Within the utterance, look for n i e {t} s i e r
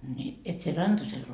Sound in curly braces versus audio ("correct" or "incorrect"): correct